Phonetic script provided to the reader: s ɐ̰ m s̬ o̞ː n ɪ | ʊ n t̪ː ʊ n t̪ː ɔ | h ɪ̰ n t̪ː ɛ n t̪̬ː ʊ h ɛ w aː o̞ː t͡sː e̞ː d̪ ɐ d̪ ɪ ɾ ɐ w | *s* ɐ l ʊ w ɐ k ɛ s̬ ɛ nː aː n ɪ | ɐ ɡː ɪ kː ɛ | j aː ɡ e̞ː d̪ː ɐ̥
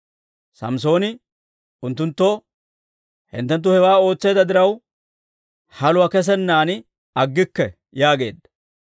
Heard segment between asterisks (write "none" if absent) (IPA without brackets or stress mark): h